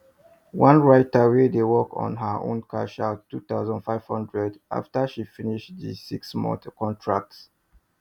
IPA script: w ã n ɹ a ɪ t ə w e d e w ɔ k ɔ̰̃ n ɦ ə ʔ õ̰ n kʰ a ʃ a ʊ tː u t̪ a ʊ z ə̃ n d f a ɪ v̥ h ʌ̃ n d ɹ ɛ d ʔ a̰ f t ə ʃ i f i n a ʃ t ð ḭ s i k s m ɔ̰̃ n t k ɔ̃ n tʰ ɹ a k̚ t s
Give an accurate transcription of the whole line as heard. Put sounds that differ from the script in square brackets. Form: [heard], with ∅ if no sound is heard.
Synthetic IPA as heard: w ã n ɹ a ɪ t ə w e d e w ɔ k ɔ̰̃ n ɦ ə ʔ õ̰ n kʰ a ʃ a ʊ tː u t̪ a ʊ z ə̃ n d f a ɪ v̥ h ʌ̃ n d ɹ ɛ d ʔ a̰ f t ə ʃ i f i n [i] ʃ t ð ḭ s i k s m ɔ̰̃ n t k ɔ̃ n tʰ ɹ a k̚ t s

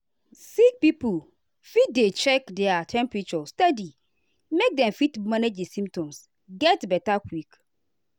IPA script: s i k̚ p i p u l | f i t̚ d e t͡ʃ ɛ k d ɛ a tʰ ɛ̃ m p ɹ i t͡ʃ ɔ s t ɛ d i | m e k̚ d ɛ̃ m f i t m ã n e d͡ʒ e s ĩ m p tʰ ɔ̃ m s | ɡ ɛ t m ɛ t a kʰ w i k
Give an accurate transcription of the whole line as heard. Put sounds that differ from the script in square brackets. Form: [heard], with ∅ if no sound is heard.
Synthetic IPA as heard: s i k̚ p i p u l | f i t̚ d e t͡ʃ ɛ k d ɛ a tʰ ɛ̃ m p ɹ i t͡ʃ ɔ s t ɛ d i | m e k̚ d ɛ̃ m f i t m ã n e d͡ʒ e s ĩ m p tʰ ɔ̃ m s | ɡ ɛ t [b] ɛ t a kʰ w i k

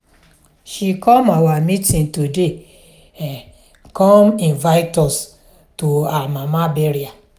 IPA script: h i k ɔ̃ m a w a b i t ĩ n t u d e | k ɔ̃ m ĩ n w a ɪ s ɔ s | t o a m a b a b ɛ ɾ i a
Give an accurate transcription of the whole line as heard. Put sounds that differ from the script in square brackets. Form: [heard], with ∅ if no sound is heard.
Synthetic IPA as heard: [ʃ] i k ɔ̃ m a w a [m] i t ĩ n t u d e | k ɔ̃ m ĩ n [v] a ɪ [t] ɔ s | t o a m a [m] a b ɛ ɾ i a

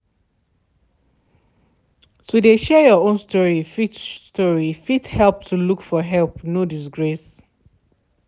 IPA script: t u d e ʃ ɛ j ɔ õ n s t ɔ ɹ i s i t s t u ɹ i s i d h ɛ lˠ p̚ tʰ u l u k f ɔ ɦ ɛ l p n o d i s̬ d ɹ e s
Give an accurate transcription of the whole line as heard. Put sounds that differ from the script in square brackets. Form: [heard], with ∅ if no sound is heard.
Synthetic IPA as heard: t u d e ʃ ɛ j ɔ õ n s t ɔ ɹ i [f] i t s t [ɔ] ɹ i [f] i [t] h ɛ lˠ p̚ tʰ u l u k f ɔ ɦ ɛ l p n o d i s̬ [ɡ] ɹ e s

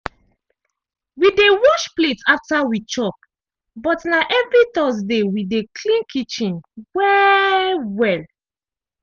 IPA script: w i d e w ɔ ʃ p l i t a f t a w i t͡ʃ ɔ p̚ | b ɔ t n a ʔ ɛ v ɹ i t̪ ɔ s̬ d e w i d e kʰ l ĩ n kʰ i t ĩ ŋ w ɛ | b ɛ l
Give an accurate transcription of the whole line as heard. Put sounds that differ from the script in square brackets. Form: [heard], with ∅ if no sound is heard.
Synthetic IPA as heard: w i d e w ɔ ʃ p l [e] t a f t a w i t͡ʃ ɔ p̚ | b ɔ t n a ʔ ɛ v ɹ i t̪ ɔ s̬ d e w i d e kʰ l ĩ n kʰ i [t͡ʃ] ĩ [n] w ɛ | [w] ɛ l

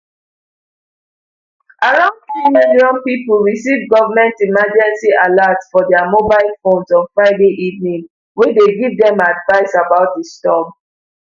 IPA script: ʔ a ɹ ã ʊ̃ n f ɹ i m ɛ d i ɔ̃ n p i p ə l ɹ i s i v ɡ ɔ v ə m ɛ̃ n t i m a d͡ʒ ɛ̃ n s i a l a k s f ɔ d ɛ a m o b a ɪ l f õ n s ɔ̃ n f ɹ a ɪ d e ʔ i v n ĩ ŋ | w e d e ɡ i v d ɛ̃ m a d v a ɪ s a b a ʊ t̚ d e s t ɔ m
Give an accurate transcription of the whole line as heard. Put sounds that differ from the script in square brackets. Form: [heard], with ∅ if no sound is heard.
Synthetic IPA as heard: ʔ a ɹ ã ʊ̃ n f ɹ i m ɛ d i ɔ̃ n p i p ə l ɹ i s i v ɡ ɔ v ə m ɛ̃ n t i m a d͡ʒ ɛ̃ n s i a l a [t] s f ɔ d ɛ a m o b a ɪ l f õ n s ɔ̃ n f ɹ a ɪ d e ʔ i v n ĩ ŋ | w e d e ɡ i v d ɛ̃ m a d v a ɪ s a b a ʊ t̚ d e s t ɔ m

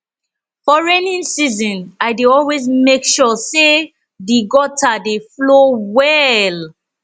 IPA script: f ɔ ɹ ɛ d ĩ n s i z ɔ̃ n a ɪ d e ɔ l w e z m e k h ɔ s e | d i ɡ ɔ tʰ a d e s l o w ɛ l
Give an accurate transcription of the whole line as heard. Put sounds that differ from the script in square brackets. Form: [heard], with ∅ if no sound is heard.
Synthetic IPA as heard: f ɔ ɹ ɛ [n] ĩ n s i z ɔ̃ n a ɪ d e ɔ l w e z m e k [ʃ] ɔ s e | d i ɡ ɔ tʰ a d e [f] l o w ɛ l

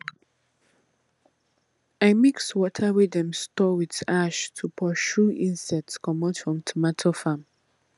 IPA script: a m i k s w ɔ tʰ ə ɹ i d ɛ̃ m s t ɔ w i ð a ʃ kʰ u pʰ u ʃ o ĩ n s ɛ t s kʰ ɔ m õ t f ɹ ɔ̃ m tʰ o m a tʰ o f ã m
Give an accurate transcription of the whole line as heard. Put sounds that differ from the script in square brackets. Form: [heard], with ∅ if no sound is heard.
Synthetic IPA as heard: a m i k s w ɔ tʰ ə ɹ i d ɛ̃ m s t ɔ w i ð a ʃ [tʰ] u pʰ [ɔ] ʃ [u] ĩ n s ɛ t s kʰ ɔ m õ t f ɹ ɔ̃ m tʰ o m a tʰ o f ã m

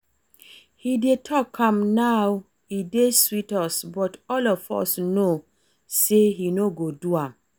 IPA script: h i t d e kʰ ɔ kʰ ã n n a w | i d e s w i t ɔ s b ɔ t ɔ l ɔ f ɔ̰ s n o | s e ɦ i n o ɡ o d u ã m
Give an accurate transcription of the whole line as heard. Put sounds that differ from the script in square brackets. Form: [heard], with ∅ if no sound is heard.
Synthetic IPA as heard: h i [∅] d e [tʰ] ɔ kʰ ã [m] n a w | i d e s w i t ɔ s b ɔ t ɔ l ɔ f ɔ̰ s n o | s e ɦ i n o ɡ o d u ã m

